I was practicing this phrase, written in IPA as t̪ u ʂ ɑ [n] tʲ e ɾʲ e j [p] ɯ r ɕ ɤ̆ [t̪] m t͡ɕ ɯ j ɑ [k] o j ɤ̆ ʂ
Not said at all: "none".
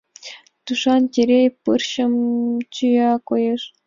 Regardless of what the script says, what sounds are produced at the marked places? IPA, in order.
n, p, none, k

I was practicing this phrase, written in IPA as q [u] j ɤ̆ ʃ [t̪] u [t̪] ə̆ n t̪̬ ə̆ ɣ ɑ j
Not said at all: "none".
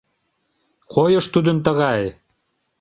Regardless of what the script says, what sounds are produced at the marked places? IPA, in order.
o, t̪, d̪

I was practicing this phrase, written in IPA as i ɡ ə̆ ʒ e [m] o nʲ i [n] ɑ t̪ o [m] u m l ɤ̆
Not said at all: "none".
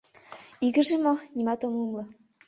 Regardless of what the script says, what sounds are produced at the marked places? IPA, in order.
m, m, m

